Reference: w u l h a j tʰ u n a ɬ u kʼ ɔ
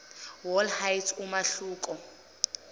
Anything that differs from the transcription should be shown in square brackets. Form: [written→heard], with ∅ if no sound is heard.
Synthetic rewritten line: w [u→ɔ] l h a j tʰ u [n→m] a ɬ [u→uː] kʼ ɔ